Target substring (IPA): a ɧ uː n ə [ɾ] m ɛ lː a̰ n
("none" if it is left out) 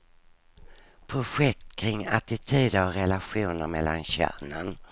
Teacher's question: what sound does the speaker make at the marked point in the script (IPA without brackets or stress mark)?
ɾ